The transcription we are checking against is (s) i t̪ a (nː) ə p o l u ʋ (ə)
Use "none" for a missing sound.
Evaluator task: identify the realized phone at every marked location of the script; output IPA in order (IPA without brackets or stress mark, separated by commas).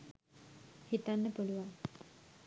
h, nː, a